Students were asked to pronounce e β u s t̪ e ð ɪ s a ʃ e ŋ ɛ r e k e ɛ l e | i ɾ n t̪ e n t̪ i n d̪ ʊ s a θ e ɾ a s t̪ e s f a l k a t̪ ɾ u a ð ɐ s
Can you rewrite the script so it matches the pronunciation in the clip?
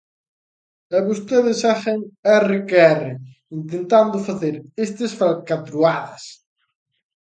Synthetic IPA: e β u s t̪ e ð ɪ s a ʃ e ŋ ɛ r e k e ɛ r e | i n t̪ e n t̪ a n d̪ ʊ f a θ e ɾ e s t̪ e s f a l k a t̪ ɾ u a ð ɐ s

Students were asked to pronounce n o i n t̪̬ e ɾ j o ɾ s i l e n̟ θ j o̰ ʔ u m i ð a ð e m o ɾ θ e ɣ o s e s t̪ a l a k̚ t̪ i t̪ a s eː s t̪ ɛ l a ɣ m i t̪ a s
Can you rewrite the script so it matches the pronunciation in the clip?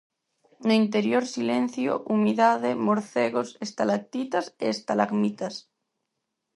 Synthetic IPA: n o i n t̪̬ e ɾ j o ɾ s i l e n̟ θ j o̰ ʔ u m i ð a ð e m o ɾ θ e ɣ o s e s t̪ a l a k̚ t̪ i t̪ a s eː s t̪ a l a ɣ m i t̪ a s

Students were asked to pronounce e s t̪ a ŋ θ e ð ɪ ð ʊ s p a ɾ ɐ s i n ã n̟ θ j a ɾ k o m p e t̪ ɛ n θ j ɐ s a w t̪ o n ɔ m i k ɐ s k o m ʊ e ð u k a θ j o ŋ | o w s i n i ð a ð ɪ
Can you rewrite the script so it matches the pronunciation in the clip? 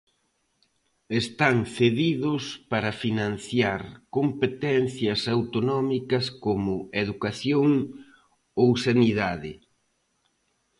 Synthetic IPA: e s t̪ a ŋ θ e ð i ð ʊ s p a ɾ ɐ f i n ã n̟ θ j a ɾ k o m p e t̪ ɛ n θ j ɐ s a w t̪ o n ɔ m i k ɐ s k o m ʊ e ð u k a θ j o ŋ | o w s a n i ð a ð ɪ

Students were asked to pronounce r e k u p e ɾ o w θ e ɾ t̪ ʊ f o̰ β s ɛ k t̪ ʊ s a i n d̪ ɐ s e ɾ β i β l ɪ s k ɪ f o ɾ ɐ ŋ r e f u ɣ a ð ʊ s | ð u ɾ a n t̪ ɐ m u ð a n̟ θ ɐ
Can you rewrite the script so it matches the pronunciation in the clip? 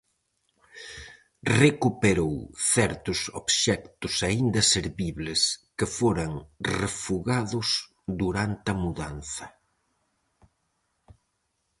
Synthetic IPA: r e k u p e ɾ o w θ ɛ ɾ t̪ ʊ s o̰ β ʃ ɛ k t̪ ʊ s a i n d̪ ɐ s e ɾ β i β l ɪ s k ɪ f o ɾ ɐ ŋ r e f u ɣ a ð ʊ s | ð u ɾ a n t̪ ɐ m u ð a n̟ θ ɐ

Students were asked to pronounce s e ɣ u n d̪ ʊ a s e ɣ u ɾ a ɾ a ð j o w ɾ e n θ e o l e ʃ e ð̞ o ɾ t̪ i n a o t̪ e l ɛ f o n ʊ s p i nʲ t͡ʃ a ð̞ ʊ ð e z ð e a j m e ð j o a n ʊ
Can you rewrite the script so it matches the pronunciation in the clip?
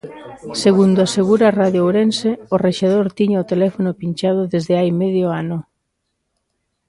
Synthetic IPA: s e ɣ u n d̪ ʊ a s e ɣ u ɾ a r a ð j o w ɾ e n s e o r e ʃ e ð̞ o ɾ t̪ i ɲ a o t̪ e l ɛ f o n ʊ p i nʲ t͡ʃ a ð̞ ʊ ð e z ð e a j m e ð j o a n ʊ

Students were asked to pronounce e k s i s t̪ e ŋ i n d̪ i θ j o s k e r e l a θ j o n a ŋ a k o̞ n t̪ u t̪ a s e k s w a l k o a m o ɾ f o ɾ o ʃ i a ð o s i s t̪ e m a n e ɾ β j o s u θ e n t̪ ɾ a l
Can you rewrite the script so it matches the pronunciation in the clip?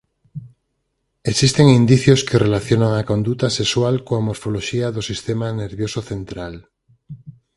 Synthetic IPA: e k s i s t̪ e ŋ i n d̪ i θ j o s k e r e l a θ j o n a ŋ a k o̞ n d̪ u t̪ a s e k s w a l k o a m o ɾ f o l o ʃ i a ð o s i s t̪ e m a n e ɾ β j o s o θ e n t̪ ɾ a l

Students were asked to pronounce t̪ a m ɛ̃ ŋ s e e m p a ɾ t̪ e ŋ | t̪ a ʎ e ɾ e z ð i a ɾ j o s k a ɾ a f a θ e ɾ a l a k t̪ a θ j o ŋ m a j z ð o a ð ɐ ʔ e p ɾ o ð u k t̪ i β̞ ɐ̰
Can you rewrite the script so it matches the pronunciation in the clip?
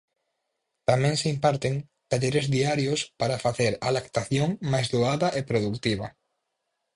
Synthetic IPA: t̪ a m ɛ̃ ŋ s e i m p a ɾ t̪ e ŋ | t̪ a ʎ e ɾ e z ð i a ɾ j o s p a ɾ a f a θ e ɾ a l a k t̪ a θ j o ŋ m a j z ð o a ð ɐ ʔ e p ɾ o ð u k t̪ i β̞ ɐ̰

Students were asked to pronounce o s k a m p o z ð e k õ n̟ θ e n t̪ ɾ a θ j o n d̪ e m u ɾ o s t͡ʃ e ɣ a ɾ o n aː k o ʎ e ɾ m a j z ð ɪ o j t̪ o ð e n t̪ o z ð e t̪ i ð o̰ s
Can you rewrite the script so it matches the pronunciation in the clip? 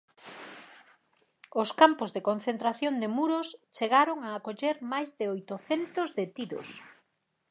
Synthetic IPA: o s k a m p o z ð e k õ n̟ θ e n t̪ ɾ a θ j o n d̪ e m u ɾ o s t͡ʃ e ɣ a ɾ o ŋ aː k o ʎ e ɾ m a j z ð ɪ o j t̪ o θ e n t̪ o z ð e t̪ i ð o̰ s

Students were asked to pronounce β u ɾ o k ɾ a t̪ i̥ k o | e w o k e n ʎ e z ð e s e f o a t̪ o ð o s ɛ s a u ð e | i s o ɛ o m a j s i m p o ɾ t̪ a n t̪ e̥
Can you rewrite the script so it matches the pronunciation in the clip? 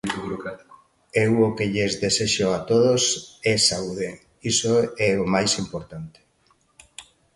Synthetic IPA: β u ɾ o k ɾ a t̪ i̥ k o | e w o k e ʎ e z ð e s e ʃ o a t̪ o ð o s ɛ s a u ð e | i s o ɛ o m a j s i m p o ɾ t̪ a n t̪ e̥

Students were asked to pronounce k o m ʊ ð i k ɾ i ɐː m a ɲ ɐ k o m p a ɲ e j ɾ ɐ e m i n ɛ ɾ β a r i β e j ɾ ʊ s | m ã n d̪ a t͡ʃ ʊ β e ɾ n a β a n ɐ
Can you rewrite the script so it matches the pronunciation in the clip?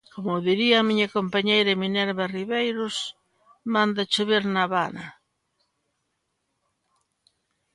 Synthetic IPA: k o m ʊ ð i ɾ i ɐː m i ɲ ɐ k o m p a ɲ e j ɾ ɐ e m i n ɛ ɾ β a r i β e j ɾ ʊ s | m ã n d̪ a t͡ʃ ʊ β e ɾ n a β a n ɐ

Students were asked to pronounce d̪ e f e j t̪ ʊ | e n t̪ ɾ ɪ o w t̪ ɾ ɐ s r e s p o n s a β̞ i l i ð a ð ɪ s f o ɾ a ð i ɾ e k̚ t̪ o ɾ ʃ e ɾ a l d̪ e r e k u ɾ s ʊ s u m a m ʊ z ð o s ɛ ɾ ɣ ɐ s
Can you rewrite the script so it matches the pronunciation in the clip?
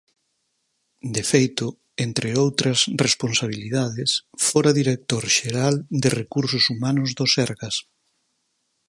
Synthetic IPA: d̪ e f e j t̪ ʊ | e n t̪ ɾ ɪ o w t̪ ɾ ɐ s r e s p o n s a β̞ i l i ð a ð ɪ s f o ɾ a ð i ɾ e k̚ t̪ o ɾ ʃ e ɾ a l d̪ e r e k u ɾ s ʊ s u m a n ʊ z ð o s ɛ ɾ ɣ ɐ s

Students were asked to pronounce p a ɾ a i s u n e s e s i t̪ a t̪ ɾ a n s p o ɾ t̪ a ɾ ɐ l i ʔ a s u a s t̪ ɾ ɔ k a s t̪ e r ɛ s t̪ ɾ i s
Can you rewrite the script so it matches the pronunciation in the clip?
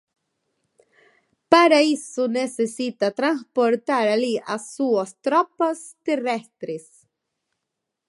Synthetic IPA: p a ɾ a i s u n e s e s i t̪ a t̪ ɾ a n s p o ɾ t̪ a ɾ a l i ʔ a s u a s t̪ ɾ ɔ p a s t̪ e r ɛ s t̪ ɾ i s

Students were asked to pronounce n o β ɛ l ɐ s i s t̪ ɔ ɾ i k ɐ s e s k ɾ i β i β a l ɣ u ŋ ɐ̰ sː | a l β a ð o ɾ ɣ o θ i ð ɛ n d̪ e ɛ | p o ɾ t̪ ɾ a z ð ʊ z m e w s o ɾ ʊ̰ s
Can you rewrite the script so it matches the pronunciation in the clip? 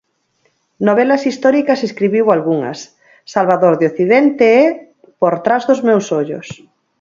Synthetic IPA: n o β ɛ l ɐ s i s t̪ ɔ ɾ i k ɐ s e s k ɾ i β i w a l ɣ u ŋ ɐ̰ sː | a l β a ð o ɾ ð o θ i ð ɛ n t̪ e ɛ | p o ɾ t̪ ɾ a z ð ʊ z m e w s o ʎ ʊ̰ s

